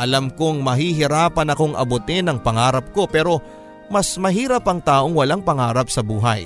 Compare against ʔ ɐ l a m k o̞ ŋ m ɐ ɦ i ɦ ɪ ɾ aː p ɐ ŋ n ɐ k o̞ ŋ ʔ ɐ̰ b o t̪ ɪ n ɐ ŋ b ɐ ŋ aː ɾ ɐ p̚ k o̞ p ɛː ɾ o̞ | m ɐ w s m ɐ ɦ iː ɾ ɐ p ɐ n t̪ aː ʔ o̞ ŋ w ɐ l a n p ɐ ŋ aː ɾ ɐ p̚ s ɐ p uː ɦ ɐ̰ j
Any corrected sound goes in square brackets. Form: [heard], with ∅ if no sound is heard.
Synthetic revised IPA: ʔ ɐ l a m k o̞ ŋ m ɐ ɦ i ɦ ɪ ɾ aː p ɐ [∅] n ɐ k o̞ ŋ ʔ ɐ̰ b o t̪ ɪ n ɐ ŋ [p] ɐ ŋ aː ɾ ɐ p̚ k o̞ p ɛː ɾ o̞ | m ɐ [∅] s m ɐ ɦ iː ɾ ɐ p ɐ [ŋ] t̪ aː ʔ o̞ ŋ w ɐ l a [ŋ] p ɐ ŋ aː ɾ ɐ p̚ s ɐ [b] uː ɦ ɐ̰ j